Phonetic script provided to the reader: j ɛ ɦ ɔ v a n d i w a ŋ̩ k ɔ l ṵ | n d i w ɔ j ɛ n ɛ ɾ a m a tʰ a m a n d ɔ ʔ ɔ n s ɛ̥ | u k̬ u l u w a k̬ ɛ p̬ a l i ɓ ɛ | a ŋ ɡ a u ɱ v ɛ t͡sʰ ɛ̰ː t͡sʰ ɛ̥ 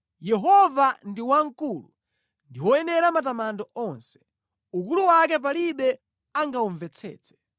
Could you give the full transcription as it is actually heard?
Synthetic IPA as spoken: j ɛ ɦ ɔ v a n d i w a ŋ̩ k u l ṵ | n d i w ɔ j ɛ n ɛ ɾ a m a t a m a n d ɔ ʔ ɔ n s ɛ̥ | u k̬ u l u w a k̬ ɛ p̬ a l i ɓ ɛ | a ŋ ɡ a u ɱ v ɛ t͡sʰ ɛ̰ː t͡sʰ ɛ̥